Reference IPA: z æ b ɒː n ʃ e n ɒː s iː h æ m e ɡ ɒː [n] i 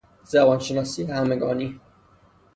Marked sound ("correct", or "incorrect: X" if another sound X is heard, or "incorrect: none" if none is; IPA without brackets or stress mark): correct